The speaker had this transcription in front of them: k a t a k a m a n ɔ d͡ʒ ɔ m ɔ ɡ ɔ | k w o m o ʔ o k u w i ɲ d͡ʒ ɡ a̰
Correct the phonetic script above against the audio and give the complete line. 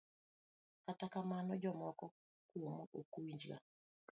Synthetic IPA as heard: k a t a k a m a n ɔ d͡ʒ ɔ m ɔ k ɔ | k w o m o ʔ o k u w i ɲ d͡ʒ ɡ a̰